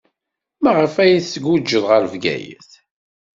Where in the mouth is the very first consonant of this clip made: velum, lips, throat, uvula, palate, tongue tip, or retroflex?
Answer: lips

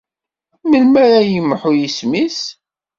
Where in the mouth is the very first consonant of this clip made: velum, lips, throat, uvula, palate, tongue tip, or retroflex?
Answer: lips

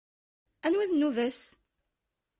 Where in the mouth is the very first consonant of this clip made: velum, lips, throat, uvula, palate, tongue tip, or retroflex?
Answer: tongue tip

